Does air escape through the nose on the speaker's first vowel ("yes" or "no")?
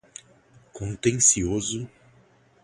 yes